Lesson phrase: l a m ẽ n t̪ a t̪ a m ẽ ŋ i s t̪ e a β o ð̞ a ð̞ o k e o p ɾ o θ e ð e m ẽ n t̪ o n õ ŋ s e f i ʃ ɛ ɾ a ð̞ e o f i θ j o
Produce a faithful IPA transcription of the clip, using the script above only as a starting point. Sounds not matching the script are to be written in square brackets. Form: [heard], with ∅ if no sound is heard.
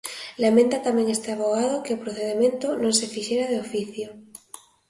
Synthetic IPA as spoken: l a m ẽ n t̪ a t̪ a m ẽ ŋ [e] s t̪ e a β o [ɣ̞] a ð̞ o k e o p ɾ o θ e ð e m ẽ n t̪ o n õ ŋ s e f i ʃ [e] ɾ a ð̞ e o f i θ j o